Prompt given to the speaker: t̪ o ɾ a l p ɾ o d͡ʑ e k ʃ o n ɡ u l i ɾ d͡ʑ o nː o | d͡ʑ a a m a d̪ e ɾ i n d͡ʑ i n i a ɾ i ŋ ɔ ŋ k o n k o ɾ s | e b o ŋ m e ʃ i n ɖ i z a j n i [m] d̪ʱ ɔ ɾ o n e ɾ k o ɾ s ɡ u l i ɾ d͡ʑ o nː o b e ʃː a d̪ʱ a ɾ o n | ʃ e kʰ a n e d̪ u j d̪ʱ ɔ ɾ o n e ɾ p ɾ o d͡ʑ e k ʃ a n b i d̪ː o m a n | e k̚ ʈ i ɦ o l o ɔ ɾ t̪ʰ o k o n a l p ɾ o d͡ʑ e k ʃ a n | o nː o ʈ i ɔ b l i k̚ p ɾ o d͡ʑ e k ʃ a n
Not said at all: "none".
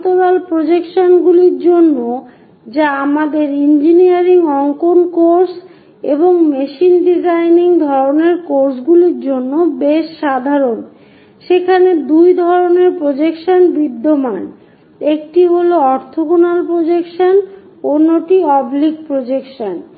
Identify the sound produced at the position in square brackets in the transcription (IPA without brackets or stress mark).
ŋ